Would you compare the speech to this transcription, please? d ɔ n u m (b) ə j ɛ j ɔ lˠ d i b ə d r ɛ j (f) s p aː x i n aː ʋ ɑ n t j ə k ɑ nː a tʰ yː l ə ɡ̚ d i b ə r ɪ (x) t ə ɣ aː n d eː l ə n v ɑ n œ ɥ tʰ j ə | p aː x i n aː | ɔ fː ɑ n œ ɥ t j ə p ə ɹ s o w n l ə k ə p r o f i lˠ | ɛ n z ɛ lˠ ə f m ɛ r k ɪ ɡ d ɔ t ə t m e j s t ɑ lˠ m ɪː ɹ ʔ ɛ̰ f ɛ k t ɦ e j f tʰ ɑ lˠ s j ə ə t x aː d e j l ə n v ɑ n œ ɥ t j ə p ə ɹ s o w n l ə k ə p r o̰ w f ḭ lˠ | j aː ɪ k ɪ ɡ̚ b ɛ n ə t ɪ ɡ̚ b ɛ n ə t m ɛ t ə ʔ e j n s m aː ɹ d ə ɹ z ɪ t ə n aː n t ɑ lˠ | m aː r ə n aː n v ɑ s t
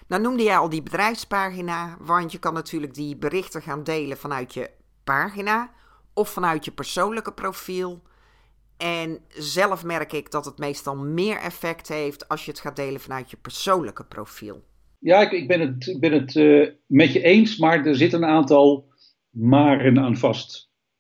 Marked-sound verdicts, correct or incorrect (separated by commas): incorrect, correct, correct